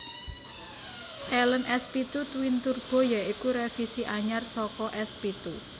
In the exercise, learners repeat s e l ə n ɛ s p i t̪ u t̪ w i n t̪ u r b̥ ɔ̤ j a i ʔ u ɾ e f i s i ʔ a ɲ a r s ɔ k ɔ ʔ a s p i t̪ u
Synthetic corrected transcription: s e l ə n ɛ s p i t̪ u t̪ w i n t̪ u r b̥ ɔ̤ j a i k u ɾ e f i s i ʔ a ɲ a r s ɔ k ɔ ʔ ɛ s p i t̪ u